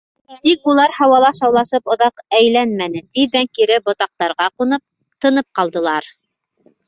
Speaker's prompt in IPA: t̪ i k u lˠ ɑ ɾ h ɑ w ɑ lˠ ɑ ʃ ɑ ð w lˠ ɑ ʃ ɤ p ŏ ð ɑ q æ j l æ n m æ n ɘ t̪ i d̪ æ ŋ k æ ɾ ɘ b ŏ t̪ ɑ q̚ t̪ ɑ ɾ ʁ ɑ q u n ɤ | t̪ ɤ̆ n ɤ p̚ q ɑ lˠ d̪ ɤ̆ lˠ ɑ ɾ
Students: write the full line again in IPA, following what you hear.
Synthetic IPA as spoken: t̪ i k u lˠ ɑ ɾ h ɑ w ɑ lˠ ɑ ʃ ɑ w lˠ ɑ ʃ ɤ p ŏ ð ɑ q æ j l æ n m æ n ɘ t̪ i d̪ æ ŋ k i ɾ ɘ b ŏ t̪ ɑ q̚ t̪ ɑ ɾ ʁ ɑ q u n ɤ | t̪ ɤ̆ n ɤ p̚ q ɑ lˠ d̪ ɤ̆ lˠ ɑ ɾ